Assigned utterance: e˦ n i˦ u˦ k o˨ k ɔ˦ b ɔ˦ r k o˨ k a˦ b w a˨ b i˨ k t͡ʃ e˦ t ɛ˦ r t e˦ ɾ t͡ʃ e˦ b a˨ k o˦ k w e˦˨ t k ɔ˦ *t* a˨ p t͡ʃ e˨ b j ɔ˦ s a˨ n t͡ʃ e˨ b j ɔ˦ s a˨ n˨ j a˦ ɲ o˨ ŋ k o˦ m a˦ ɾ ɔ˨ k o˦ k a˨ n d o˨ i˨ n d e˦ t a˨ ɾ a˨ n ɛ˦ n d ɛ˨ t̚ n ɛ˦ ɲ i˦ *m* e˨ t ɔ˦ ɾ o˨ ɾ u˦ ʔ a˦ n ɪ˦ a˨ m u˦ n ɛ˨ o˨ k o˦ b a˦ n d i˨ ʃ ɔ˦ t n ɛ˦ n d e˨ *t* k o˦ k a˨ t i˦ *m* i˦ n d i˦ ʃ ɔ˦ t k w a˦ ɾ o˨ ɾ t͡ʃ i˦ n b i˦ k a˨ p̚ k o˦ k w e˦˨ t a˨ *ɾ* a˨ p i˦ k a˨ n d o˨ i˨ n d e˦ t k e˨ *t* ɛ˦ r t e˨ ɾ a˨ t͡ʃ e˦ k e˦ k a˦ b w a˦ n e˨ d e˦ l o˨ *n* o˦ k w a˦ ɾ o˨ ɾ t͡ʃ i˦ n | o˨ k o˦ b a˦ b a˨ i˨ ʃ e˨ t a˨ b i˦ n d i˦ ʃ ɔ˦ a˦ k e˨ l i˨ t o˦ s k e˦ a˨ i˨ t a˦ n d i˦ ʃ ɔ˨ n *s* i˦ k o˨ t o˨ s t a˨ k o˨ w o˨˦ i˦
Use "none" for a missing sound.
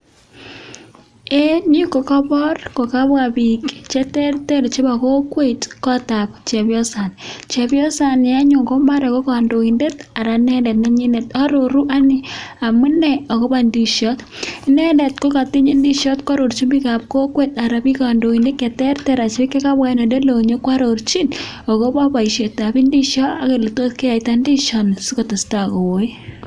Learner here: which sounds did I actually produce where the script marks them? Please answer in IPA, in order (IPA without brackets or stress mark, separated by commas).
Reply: t, n, t, ɲ, ɾ, t, ɲ, s